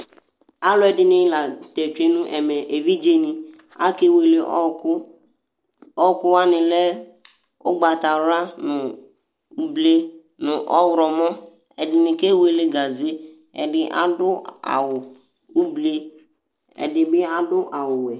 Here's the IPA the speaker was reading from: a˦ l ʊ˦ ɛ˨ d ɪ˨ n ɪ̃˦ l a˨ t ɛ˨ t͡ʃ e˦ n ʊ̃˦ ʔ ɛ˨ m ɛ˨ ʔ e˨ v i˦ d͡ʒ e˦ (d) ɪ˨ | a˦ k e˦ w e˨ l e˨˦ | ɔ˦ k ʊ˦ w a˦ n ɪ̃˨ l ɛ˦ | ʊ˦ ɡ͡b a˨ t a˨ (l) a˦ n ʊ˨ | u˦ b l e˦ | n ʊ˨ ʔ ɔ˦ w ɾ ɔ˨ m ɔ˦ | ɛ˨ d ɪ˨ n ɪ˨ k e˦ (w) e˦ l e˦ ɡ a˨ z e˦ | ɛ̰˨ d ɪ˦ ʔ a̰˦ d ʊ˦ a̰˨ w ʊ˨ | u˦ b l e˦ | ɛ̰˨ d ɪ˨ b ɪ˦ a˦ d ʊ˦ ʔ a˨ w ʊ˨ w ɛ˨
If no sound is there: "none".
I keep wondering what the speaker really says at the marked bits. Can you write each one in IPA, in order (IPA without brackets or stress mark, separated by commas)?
n, ɾ, w